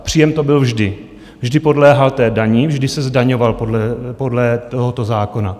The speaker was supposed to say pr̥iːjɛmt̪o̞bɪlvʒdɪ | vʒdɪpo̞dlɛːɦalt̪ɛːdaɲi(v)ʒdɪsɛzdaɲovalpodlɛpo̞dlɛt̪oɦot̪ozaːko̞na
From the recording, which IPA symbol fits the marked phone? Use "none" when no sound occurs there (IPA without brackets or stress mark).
v